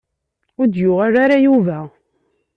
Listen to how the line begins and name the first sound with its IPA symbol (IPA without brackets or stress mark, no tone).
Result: ʊ